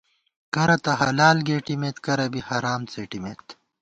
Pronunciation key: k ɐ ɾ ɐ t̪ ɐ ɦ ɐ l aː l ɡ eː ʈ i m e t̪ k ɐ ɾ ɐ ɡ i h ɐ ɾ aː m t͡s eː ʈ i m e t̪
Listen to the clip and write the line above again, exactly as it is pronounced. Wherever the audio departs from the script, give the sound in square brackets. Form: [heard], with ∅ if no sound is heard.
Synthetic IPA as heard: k ɐ ɾ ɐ t̪ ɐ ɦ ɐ l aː l ɡ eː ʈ i m e t̪ k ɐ ɾ ɐ [b] i h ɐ ɾ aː m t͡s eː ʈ i m e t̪